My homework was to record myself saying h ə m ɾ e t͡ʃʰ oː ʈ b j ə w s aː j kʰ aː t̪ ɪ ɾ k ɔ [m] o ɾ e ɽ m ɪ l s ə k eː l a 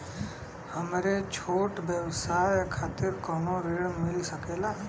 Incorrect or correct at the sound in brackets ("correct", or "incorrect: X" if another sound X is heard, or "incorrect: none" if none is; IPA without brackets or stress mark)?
incorrect: n